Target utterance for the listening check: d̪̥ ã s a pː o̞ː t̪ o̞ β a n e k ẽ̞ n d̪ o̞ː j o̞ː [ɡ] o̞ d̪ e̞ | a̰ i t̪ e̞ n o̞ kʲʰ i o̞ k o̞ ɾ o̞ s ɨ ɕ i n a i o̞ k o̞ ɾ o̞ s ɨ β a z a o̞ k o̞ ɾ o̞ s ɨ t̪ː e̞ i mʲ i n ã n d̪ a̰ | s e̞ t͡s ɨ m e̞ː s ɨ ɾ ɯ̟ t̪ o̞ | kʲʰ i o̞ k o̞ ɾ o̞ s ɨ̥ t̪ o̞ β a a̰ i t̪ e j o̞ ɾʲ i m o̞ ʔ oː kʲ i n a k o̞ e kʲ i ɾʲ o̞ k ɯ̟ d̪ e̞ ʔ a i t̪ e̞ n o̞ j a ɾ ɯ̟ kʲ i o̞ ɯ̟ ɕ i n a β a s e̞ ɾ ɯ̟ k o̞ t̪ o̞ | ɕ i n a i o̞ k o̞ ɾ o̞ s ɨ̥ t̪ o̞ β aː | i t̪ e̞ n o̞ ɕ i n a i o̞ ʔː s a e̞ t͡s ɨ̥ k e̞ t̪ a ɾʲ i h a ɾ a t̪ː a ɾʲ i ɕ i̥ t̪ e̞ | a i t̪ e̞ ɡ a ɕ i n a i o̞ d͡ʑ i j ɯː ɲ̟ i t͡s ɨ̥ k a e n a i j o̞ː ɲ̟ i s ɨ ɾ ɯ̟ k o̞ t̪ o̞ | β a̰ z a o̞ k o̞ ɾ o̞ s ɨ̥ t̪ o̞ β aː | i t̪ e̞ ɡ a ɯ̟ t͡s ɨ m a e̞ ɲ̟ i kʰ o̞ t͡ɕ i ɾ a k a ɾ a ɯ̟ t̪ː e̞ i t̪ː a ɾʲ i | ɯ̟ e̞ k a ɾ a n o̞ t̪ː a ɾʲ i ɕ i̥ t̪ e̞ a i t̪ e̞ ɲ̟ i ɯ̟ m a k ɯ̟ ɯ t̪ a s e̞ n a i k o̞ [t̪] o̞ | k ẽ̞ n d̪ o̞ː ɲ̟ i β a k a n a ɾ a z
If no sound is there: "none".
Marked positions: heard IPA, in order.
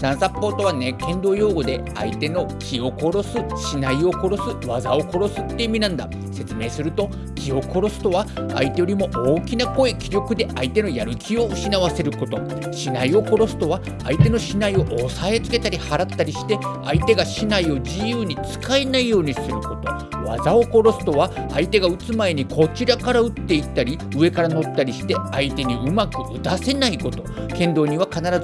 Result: ɡ, t̪

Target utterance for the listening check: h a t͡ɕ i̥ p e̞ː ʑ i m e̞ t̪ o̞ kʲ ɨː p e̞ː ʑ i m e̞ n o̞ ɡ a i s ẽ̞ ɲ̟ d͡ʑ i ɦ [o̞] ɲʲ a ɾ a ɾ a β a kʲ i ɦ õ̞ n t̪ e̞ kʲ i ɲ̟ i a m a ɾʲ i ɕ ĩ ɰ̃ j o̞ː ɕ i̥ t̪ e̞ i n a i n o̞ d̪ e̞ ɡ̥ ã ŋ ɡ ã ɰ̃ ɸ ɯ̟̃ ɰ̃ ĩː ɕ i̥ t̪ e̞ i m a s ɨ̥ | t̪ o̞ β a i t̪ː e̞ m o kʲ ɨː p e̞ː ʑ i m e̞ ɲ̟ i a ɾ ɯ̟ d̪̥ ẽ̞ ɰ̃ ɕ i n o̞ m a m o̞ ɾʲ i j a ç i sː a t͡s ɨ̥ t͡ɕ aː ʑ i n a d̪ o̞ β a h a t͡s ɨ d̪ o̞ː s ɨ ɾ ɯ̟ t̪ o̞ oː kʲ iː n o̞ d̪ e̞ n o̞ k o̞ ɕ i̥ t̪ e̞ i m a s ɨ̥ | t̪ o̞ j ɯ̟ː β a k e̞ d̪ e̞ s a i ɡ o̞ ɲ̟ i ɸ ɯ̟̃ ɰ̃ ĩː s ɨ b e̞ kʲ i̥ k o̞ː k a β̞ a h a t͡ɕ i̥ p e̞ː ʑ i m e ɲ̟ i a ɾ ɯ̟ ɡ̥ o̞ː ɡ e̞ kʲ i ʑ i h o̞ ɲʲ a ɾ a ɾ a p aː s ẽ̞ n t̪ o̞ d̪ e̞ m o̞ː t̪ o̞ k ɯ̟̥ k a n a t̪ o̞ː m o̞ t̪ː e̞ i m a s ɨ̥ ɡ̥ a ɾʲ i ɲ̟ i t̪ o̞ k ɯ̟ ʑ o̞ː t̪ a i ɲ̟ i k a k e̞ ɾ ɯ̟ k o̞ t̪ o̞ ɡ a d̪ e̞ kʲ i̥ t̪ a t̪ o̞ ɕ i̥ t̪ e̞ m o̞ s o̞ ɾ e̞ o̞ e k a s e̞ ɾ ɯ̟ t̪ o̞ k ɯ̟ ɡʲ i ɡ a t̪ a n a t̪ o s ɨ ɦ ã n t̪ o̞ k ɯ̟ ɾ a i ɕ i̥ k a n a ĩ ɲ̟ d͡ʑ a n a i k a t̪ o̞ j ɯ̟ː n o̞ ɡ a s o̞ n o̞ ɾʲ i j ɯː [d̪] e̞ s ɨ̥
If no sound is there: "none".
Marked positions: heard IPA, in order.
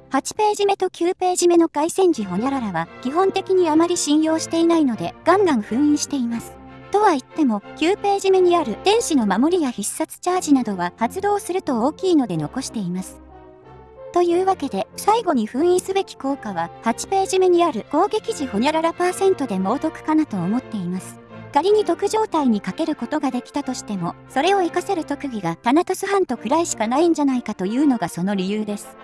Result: o̞, d̪

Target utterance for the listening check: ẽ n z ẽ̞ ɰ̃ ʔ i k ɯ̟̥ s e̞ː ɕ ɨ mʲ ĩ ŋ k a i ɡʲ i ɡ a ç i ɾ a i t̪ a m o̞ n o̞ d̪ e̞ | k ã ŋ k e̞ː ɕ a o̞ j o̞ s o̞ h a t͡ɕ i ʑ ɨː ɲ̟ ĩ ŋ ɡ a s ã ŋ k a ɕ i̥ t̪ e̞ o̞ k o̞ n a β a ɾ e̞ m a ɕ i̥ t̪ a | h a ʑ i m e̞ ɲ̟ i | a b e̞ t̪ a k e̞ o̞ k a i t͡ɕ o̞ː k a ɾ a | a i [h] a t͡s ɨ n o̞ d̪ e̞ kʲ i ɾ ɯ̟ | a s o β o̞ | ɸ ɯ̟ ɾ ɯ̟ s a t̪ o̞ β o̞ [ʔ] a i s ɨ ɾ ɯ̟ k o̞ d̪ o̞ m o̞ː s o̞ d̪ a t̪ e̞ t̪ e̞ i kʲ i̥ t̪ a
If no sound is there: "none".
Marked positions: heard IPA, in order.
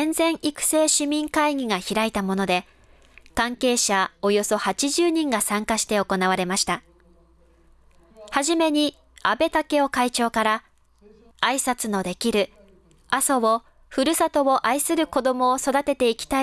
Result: s, ʔ

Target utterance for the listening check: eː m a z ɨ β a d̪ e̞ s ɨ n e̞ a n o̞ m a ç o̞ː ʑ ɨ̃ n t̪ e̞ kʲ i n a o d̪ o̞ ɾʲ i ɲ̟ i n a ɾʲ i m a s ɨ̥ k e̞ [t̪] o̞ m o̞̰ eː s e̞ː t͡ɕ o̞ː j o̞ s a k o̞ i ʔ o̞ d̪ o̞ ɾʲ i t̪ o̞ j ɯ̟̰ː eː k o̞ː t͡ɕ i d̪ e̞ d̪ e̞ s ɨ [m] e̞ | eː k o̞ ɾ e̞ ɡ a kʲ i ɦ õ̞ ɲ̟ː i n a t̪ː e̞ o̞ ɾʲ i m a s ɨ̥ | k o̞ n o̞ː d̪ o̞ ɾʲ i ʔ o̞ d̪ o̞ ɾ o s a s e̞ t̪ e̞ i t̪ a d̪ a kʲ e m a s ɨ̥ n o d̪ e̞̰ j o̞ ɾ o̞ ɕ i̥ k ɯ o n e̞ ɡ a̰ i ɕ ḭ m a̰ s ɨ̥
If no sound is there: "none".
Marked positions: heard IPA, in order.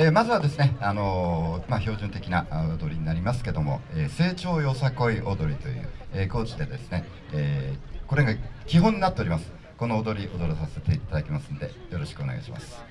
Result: d̪, n

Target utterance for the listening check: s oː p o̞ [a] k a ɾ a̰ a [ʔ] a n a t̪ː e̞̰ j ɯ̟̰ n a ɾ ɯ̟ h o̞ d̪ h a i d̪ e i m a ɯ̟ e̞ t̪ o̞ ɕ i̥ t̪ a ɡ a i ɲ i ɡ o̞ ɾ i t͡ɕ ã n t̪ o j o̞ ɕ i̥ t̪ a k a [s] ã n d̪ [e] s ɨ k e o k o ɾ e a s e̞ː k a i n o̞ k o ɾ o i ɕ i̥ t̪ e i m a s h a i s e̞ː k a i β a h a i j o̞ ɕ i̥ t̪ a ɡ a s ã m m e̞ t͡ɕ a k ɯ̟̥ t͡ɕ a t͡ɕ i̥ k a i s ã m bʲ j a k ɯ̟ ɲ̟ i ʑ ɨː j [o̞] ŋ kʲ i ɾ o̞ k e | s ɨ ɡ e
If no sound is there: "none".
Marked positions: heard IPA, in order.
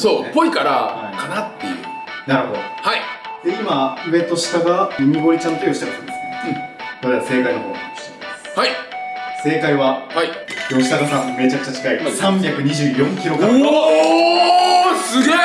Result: i, k, s, e, õ̞

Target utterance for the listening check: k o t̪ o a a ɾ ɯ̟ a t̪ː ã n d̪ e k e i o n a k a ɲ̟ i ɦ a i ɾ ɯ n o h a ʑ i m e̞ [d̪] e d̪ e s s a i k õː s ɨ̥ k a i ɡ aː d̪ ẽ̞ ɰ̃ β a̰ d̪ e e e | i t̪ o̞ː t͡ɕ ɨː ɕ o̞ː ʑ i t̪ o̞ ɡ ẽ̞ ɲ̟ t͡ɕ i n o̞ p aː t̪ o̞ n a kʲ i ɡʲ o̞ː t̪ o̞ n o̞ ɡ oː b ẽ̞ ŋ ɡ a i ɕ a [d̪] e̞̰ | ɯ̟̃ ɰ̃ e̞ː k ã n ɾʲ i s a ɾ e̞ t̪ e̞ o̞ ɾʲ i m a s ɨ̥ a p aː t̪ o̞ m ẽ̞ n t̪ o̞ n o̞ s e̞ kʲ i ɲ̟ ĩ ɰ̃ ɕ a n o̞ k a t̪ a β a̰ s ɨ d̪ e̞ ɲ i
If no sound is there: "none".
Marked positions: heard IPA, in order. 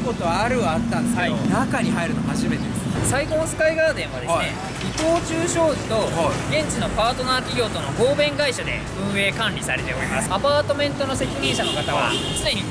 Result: t̪, d̪

